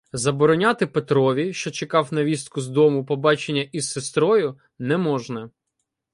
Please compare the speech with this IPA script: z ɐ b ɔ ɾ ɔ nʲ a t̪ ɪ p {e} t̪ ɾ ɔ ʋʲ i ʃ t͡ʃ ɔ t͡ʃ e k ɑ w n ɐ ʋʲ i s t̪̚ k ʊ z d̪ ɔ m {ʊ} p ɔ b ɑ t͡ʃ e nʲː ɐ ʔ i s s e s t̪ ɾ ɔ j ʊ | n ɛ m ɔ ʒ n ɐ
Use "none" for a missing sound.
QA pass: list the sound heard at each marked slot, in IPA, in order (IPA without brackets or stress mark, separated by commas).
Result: e, ʊ